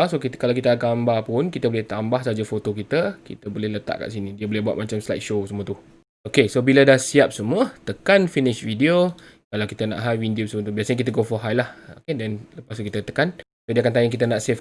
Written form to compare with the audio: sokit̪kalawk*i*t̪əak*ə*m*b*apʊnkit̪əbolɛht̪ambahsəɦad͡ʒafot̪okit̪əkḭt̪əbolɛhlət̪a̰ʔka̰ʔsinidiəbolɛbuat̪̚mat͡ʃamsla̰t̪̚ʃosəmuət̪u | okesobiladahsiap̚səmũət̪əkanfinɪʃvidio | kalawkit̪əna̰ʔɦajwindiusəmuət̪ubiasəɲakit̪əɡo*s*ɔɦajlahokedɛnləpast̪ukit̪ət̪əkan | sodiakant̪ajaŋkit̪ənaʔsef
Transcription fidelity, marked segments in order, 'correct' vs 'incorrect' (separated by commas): correct, incorrect, correct, incorrect